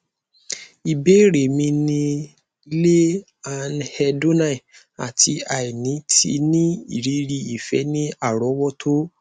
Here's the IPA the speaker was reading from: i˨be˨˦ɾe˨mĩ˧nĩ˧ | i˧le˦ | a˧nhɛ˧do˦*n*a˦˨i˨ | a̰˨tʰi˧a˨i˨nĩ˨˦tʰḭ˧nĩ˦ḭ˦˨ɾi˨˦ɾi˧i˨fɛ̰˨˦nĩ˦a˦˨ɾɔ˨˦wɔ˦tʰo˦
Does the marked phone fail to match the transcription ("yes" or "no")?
no